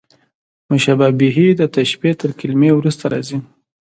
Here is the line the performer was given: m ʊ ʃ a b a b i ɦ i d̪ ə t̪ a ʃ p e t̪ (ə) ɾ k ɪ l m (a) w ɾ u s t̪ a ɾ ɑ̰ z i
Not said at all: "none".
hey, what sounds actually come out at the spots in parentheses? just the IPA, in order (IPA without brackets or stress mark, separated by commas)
ə, e